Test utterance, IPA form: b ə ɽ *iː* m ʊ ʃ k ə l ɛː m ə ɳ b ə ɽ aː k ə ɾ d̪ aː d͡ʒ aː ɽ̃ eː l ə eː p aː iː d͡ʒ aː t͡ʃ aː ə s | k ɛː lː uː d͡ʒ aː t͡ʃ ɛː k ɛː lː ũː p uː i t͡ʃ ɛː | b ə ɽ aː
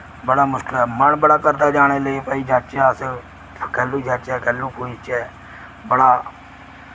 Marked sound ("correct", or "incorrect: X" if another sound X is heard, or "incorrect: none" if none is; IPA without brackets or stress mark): incorrect: aː